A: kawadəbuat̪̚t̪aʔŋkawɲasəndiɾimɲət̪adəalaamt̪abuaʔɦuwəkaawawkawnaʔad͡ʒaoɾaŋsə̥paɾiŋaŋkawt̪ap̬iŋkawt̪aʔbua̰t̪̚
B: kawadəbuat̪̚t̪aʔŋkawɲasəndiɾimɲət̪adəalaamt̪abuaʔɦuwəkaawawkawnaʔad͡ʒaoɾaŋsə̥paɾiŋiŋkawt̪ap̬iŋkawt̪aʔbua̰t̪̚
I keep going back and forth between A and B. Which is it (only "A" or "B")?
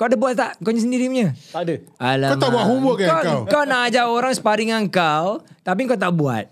A